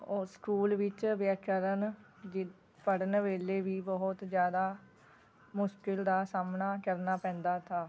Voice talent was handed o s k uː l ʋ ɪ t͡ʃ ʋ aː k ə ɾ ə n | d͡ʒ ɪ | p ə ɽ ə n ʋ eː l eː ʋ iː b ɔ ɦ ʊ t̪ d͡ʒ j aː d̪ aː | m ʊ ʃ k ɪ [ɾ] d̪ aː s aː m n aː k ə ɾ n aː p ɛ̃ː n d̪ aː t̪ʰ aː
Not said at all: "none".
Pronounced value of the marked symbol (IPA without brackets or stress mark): l